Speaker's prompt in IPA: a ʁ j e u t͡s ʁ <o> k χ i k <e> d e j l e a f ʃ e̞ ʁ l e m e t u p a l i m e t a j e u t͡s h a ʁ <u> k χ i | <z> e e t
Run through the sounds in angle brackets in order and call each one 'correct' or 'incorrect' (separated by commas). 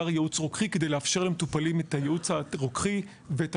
correct, correct, incorrect, incorrect